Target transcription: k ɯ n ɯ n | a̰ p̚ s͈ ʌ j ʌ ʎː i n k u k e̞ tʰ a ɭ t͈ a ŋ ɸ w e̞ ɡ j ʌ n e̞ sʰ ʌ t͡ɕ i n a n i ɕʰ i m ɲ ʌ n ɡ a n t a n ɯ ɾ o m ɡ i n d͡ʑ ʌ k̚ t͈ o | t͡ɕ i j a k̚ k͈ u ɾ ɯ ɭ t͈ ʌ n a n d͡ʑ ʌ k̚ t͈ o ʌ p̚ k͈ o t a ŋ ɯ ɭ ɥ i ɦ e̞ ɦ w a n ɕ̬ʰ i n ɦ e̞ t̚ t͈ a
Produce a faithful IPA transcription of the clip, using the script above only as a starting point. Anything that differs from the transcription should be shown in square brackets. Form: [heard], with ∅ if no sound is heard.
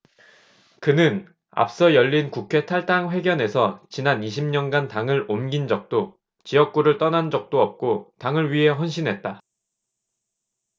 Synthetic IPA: k ɯ n ɯ n | a̰ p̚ s͈ ʌ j ʌ ʎː i n k u [kʰ] e̞ tʰ a ɭ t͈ a ŋ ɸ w e̞ ɡ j ʌ n e̞ sʰ ʌ t͡ɕ i n a n i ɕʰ i m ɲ ʌ n ɡ a n t a [ŋ] ɯ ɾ o m ɡ i n d͡ʑ ʌ k̚ t͈ o | t͡ɕ i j [ʌ] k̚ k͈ u ɾ ɯ ɭ t͈ ʌ n a n d͡ʑ ʌ k̚ t͈ o ʌ p̚ k͈ o t a ŋ ɯ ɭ ɥ i ɦ e̞ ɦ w [ʌ] n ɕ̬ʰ i n ɦ e̞ t̚ t͈ a